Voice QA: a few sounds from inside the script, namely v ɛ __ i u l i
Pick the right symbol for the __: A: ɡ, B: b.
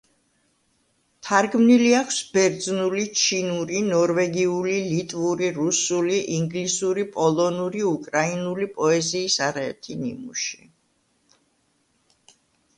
A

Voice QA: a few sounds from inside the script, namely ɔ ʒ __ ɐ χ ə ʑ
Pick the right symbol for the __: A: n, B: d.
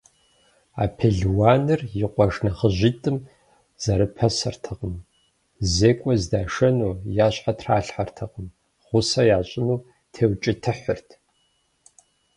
A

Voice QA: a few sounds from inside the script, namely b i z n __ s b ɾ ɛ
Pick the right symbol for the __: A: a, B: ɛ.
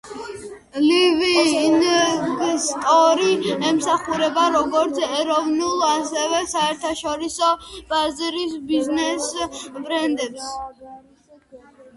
B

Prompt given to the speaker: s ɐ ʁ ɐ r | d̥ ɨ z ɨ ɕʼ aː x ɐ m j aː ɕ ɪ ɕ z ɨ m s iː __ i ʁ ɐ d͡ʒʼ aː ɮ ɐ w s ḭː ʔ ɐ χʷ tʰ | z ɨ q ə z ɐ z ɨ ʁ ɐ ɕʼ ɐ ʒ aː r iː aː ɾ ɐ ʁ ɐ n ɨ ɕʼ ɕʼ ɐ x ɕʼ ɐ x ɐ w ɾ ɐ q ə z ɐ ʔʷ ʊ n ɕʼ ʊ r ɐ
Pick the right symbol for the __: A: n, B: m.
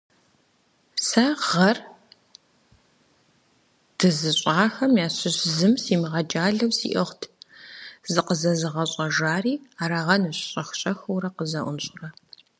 B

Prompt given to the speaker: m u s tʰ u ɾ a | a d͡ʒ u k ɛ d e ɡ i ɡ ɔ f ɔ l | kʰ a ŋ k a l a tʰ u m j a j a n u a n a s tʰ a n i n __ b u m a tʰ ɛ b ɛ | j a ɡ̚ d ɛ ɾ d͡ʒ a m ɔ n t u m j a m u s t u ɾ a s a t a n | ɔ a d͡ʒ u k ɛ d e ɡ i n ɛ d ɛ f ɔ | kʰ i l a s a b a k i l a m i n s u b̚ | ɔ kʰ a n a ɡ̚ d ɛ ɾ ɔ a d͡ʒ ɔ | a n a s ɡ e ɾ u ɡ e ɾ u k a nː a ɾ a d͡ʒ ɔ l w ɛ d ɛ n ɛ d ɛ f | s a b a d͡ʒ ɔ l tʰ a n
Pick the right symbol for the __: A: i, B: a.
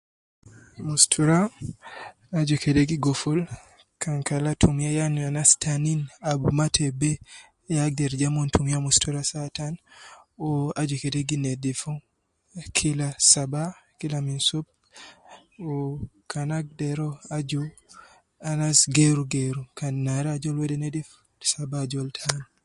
B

